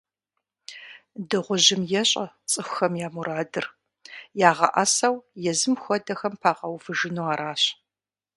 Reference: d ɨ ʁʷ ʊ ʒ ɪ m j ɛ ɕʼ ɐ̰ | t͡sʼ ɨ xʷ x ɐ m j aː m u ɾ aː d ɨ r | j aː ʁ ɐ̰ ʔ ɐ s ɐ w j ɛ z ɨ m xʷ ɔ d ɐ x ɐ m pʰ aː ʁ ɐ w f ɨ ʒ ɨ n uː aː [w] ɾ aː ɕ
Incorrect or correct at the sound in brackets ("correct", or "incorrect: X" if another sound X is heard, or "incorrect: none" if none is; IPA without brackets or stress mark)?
incorrect: none